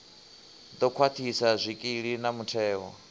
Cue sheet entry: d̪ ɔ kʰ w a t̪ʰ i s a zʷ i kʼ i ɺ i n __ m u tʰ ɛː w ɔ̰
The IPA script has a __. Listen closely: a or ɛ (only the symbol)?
a